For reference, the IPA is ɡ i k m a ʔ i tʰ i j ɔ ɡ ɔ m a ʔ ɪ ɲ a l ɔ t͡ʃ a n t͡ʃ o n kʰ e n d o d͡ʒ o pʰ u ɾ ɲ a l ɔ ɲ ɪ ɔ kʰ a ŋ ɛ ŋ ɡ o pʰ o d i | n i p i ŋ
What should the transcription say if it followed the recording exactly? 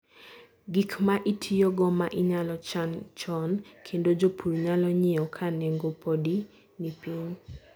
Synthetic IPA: ɡ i k m a ʔ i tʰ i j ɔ ɡ ɔ m a ʔ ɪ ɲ a l ɔ t͡ʃ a n t͡ʃ ɔ n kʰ e n d o d͡ʒ o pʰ u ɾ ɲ a l ɔ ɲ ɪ ɔ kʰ a n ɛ ŋ ɡ o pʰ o d i | n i p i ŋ